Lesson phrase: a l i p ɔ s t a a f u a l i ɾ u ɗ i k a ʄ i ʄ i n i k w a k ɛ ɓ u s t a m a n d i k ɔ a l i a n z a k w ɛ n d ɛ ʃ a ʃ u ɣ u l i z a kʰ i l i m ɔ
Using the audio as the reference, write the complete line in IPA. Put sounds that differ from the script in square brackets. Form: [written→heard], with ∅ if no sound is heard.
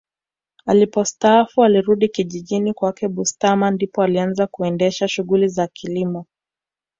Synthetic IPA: a l i p ɔ s t a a f u a l i ɾ u ɗ i k [a→i] ʄ i ʄ i n i k w a k ɛ ɓ u s t a m a n d i [k→p] ɔ a l i a n z a k [w→u] ɛ n d ɛ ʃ a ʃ u ɣ u l i z a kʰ i l i m ɔ